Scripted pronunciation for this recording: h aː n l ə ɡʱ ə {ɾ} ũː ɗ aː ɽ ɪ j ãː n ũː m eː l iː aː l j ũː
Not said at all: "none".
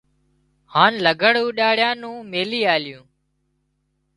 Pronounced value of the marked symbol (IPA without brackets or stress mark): ɽ